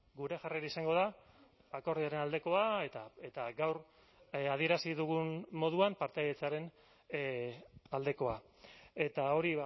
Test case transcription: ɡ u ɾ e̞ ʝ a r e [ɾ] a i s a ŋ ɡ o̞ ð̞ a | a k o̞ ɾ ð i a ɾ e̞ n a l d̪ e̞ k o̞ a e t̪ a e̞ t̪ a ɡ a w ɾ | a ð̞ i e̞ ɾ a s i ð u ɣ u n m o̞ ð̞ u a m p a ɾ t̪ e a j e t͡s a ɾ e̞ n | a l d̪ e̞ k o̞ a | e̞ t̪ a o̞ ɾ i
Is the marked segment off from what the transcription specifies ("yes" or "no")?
no